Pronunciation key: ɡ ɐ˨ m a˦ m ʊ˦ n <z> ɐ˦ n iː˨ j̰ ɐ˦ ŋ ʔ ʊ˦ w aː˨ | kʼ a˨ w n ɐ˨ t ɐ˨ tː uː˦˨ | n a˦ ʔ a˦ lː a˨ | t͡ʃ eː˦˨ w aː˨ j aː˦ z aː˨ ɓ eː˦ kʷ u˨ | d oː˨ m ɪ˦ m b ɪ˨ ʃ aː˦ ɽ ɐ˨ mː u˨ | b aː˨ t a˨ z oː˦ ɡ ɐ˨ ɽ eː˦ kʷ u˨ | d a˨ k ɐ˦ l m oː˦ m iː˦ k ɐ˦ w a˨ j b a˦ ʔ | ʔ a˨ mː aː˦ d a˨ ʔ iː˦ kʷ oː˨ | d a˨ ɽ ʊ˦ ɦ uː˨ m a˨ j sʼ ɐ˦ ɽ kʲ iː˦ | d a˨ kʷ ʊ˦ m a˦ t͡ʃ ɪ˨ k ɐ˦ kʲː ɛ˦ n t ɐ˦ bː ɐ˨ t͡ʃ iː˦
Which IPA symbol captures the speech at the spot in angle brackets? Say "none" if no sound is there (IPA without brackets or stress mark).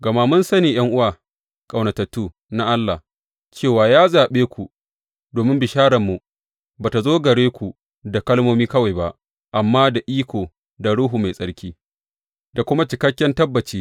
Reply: s